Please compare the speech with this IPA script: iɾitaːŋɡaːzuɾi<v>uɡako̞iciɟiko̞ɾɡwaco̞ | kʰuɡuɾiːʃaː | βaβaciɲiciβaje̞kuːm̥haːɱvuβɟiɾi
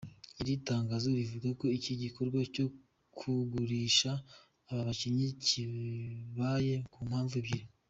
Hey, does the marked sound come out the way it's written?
yes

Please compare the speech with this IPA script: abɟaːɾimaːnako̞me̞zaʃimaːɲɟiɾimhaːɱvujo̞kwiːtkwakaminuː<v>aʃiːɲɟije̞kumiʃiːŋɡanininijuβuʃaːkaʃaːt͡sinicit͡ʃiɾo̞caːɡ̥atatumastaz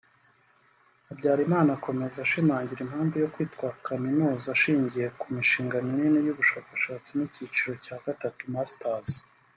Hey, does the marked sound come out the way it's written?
no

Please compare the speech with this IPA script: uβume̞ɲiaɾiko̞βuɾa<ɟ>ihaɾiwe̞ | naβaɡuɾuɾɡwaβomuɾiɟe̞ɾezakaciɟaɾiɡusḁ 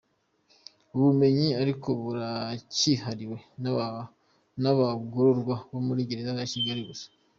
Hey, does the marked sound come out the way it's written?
no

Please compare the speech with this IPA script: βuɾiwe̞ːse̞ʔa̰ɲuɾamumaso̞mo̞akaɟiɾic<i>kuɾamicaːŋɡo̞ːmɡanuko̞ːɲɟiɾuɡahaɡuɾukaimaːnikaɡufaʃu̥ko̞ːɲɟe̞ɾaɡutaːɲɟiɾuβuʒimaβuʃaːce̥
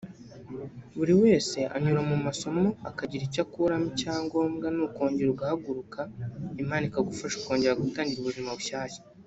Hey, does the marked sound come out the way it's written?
no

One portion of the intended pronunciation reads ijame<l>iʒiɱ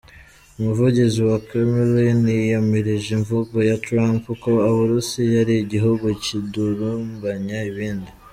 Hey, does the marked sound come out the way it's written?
no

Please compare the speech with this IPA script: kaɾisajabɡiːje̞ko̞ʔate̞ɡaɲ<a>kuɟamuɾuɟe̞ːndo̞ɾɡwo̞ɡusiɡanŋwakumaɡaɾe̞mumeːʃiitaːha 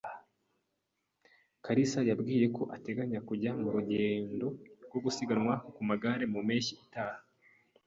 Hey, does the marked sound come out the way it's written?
yes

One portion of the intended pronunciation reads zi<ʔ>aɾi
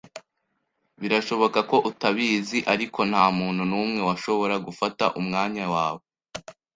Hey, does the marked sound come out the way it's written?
yes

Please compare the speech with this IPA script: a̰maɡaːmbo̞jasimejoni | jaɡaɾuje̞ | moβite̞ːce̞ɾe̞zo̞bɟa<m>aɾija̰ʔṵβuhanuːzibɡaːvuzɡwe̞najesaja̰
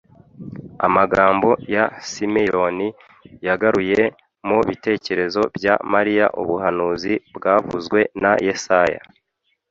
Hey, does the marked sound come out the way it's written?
yes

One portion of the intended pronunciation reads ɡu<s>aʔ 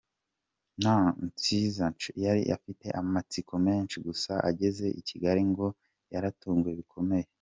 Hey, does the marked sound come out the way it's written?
yes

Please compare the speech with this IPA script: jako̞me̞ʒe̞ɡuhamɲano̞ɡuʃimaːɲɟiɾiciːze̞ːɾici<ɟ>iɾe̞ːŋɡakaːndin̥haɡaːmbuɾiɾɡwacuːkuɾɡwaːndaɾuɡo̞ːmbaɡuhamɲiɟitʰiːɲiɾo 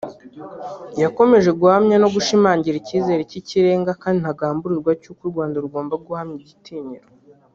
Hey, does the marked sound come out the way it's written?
no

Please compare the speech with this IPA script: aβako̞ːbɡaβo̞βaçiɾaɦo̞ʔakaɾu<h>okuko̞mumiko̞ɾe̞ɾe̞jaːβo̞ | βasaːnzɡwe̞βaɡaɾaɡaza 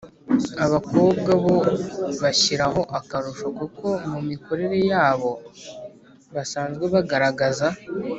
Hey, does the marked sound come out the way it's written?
no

